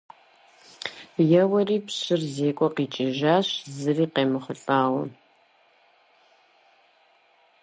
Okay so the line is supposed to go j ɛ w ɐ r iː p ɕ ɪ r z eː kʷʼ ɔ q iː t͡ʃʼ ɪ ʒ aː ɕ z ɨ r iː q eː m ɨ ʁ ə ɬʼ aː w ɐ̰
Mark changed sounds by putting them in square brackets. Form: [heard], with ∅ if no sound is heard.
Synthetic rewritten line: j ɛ w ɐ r iː p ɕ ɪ r z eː kʷʼ ɔ q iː t͡ʃʼ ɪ ʒ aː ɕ z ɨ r iː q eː m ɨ [χ] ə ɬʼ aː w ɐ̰